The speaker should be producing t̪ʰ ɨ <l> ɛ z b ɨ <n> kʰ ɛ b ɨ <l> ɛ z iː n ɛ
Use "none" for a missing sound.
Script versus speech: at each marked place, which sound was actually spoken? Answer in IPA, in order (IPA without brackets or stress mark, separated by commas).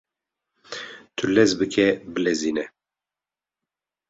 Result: l, none, l